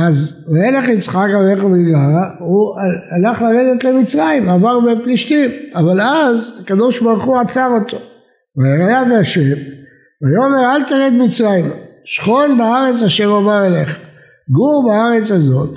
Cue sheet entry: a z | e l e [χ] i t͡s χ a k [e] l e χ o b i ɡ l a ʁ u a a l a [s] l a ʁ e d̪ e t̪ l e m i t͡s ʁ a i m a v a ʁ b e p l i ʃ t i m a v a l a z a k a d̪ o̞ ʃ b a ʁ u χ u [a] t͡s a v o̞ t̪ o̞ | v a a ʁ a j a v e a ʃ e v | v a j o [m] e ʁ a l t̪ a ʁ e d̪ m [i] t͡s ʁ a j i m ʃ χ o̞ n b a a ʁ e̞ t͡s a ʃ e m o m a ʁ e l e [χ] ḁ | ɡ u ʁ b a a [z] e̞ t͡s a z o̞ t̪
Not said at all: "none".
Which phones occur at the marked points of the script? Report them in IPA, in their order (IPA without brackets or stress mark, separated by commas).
χ, a, χ, a, m, i, χ, ʁ